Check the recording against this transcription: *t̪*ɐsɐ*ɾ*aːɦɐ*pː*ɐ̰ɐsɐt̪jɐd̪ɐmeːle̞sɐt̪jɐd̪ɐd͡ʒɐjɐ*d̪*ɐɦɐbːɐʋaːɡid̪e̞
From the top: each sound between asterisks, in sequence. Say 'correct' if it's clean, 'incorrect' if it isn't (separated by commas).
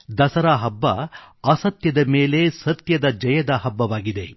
incorrect, correct, incorrect, correct